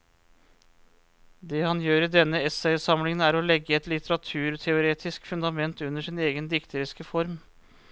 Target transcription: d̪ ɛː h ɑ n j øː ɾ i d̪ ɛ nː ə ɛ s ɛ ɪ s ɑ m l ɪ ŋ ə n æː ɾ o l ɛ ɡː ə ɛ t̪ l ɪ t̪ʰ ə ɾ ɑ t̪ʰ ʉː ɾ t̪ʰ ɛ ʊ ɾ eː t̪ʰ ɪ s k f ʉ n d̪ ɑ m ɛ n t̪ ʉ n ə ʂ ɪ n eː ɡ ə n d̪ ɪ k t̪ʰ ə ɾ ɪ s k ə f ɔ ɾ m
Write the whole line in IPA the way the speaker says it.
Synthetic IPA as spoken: d̪ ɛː h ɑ n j øː ɾ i d̪ ɛ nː ə ɛ s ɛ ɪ s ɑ m l ɪ ŋ ə n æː ɾ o l ɛ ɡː ə ɛ t̪ l ɪ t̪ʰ ə ɾ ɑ t̪ʰ ʉː ɾ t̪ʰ ɛ ʊ ɾ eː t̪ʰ ɪ s k f ʉ n d̪ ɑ m ɛ n t̪ ʉ n ə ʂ ɪ n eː ɡ ə n d̪ ɪ k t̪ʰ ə ɾ ɪ s k ə f ɔ ɾ m

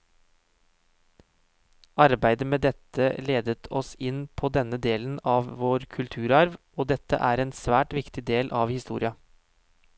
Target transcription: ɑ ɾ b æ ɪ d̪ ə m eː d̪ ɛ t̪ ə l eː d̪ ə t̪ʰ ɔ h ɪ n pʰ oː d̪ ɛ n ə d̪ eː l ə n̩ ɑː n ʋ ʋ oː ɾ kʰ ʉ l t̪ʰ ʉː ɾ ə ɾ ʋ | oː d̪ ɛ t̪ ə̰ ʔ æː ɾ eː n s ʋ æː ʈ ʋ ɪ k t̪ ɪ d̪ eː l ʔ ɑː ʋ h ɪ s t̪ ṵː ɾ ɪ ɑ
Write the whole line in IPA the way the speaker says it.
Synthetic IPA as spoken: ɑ ɾ b æ ɪ d̪ ə m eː d̪ ɛ t̪ ə l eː d̪ ə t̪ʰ ɔ s ɪ n pʰ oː d̪ ɛ n ə d̪ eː l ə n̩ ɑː ʋ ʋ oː ɾ kʰ ʉ l t̪ʰ ʉː ɾ ɑ ɾ ʋ | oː d̪ ɛ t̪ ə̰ ʔ æː ɾ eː n s ʋ æː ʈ ʋ ɪ k t̪ ɪ d̪ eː l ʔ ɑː ʋ h ɪ s t̪ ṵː ɾ ɪ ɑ

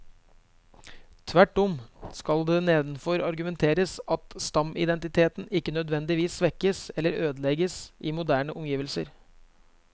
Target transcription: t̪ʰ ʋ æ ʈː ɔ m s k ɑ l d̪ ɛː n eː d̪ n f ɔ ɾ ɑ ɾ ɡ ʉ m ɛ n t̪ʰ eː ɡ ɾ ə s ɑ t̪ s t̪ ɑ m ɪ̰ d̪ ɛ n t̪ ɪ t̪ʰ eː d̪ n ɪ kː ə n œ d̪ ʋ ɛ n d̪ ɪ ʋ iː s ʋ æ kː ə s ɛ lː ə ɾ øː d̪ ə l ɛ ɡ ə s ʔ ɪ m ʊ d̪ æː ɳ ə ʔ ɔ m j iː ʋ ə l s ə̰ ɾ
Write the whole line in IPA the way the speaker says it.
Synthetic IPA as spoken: t̪ʰ ʋ æ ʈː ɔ m s k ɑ l d̪ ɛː n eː d̪ n f ɔ ɾ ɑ ɾ ɡ ʉ m ɛ n t̪ʰ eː ɾ ə s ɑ t̪ s t̪ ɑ m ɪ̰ d̪ ɛ n t̪ ɪ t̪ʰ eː t̪ n ɪ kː ə n œ d̪ ʋ ɛ n d̪ ɪ ʋ iː s ʋ ɛ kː ə s ɛ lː ə ɾ øː d̪ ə l ɛ ɡ ə s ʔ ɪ m ʊ d̪ æː ɳ ə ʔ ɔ m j iː ʋ ə l s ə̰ ɾ

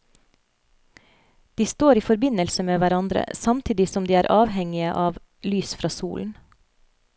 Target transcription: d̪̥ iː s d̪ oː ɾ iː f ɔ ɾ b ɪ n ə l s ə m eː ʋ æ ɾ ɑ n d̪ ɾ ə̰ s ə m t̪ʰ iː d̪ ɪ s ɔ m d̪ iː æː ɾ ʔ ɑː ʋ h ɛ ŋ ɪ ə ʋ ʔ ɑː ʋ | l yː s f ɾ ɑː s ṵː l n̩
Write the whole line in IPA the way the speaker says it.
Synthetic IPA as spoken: d̪̥ iː s t̪ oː ɾ iː f ɔ ɾ b ɪ n ə l s ə m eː ʋ æ ɾ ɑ n d̪ ɾ ə̰ s ɑ m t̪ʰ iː d̪ ɪ s ɔ m d̪ iː æː ɾ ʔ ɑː ʋ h ɛ ŋ ɪ ə ʔ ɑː ʋ | l yː s f ɾ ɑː s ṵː l n̩

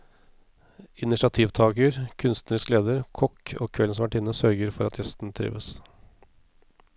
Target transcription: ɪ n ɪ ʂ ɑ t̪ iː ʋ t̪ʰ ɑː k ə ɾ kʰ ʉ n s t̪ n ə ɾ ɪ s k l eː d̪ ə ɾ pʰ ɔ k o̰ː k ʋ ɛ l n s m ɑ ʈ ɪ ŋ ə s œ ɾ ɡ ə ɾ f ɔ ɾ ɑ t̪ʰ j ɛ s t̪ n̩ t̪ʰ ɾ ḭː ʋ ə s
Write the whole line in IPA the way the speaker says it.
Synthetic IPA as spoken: ɪ n ɪ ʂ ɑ t̪ʰ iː ʋ t̪ʰ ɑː k ə ɾ kʰ ʉ n s t̪ n ə ɾ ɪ s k l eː d̪ ə ɾ kʰ ɔ k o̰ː kʰ ʋ ɛ l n s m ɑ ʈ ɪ n ə s œ ɾ ɡ ə ɾ f ɔ ɾ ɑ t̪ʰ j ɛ s t̪ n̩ t̪ʰ ɾ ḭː ʋ ə s

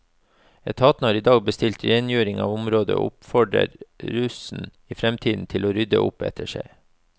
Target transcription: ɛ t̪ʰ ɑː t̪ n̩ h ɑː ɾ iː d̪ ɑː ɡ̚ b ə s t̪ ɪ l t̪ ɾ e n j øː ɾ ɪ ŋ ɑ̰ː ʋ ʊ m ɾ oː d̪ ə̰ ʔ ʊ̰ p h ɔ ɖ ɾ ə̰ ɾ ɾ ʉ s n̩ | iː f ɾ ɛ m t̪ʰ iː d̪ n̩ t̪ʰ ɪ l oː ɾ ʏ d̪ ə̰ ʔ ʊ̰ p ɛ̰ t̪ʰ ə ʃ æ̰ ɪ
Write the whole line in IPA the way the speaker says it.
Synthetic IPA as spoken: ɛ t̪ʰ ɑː t̪ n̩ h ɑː ɾ iː d̪ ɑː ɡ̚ b ə s t̪ ɪ l t̪ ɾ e n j øː ɾ ɪ ŋ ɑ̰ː ʋ ʊ m ɾ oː d̪ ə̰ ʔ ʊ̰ p f ɔ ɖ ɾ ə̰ ɾ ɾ ʉ s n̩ | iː f ɾ ɛ m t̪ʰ iː d̪ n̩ t̪ʰ ɪ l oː ɾ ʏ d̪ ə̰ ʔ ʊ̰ p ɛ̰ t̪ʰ ə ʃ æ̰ ɪ

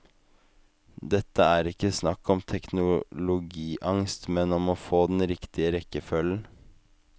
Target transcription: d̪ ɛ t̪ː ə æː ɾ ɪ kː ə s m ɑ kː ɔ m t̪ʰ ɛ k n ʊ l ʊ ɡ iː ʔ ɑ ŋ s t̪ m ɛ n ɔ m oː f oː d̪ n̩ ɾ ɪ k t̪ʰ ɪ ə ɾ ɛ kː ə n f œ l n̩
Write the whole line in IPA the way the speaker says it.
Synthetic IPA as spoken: d̪ ɛ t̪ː ə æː ɾ ɪ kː ə s n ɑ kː ɔ m t̪ʰ ɛ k n ʊ l ʊ ɡ iː ʔ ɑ ŋ s t̪ m ɛ n ɔ m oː f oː d̪ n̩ ɾ ɪ k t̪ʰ ɪ ə ɾ ɛ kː ə f œ l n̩

